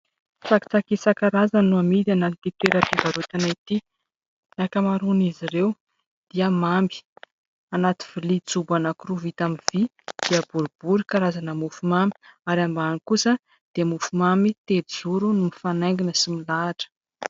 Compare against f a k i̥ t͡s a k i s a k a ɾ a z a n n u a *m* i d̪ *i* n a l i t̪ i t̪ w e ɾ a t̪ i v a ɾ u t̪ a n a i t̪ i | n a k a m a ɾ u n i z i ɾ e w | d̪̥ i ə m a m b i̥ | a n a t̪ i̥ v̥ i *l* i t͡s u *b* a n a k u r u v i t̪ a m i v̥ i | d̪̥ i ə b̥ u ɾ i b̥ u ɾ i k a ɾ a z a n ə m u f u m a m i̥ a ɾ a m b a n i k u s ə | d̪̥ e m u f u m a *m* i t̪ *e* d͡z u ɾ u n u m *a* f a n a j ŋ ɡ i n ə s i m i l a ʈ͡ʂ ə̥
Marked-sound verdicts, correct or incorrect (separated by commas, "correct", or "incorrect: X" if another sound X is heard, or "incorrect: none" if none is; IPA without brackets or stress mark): correct, incorrect: a, correct, correct, correct, correct, incorrect: i